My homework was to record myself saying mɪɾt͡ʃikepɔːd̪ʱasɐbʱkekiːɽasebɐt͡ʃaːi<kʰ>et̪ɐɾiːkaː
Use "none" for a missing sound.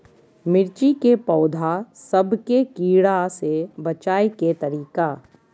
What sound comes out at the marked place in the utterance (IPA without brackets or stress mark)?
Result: k